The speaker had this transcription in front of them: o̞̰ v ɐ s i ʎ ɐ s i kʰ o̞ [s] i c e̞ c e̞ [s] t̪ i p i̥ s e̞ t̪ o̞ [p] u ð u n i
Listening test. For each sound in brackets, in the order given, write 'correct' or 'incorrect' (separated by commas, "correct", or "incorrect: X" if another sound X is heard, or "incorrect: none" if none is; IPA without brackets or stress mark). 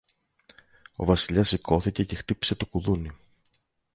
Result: incorrect: θ, incorrect: x, incorrect: k